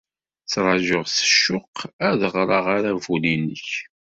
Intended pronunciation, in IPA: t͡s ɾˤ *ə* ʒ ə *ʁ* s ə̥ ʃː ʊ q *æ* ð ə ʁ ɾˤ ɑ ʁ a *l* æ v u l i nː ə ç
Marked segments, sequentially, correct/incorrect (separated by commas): incorrect, correct, correct, incorrect